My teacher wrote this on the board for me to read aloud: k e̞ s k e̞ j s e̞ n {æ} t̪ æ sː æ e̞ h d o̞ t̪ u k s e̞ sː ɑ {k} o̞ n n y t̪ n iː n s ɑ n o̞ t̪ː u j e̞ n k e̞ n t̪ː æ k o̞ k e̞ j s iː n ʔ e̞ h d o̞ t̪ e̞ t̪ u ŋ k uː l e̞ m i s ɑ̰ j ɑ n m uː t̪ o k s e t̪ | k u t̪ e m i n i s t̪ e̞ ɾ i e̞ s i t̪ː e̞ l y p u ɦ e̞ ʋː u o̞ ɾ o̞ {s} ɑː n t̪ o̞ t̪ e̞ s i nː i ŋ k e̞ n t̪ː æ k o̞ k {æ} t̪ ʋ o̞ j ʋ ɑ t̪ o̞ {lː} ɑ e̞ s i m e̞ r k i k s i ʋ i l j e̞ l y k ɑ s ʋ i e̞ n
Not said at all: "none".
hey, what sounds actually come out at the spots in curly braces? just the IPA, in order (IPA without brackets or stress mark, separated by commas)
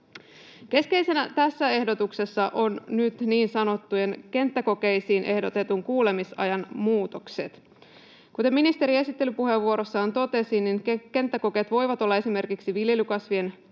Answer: æ, ʔ, sː, e, lː